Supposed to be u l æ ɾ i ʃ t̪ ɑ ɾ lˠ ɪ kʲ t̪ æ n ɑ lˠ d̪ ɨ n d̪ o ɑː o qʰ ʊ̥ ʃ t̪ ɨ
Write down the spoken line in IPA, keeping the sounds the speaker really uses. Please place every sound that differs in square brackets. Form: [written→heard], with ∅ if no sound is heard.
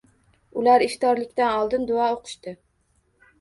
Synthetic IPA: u l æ ɾ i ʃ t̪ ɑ ɾ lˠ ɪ kʲ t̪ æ n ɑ lˠ d̪ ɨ n d̪ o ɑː o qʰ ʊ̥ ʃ t̪ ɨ